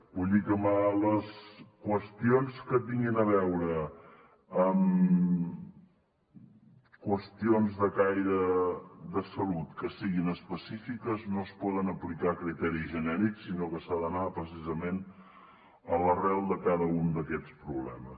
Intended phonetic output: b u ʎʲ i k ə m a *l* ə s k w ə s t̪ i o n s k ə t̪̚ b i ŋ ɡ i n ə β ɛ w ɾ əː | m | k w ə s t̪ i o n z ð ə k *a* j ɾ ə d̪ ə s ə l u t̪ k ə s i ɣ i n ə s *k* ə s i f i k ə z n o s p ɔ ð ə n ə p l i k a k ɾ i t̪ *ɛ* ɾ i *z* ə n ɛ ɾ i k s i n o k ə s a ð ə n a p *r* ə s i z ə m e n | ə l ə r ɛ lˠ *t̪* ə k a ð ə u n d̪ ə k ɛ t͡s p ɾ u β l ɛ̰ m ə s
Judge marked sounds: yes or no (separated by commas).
yes, yes, no, yes, no, no, no